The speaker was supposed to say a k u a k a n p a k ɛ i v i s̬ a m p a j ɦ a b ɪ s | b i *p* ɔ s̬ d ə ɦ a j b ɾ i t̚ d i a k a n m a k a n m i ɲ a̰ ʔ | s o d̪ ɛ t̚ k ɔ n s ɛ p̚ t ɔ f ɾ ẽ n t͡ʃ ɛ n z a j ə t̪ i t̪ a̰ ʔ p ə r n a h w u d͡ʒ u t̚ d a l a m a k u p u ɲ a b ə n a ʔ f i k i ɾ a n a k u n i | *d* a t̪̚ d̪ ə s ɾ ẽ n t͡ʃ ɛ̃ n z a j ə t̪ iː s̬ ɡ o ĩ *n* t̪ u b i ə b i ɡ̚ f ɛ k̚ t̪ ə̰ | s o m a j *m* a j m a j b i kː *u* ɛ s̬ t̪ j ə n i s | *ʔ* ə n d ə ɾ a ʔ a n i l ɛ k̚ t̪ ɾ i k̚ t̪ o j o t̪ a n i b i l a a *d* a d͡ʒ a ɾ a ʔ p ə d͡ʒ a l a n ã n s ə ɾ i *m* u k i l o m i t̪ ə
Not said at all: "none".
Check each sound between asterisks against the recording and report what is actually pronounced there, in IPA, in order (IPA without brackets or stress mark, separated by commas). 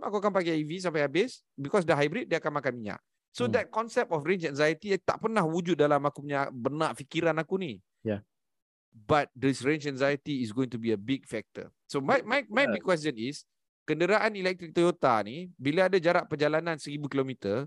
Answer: k, b, ŋ, m, w, k, d, b